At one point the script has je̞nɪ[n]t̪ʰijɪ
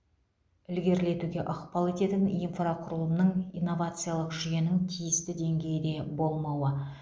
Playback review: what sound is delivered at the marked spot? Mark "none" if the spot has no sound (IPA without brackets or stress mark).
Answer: ŋ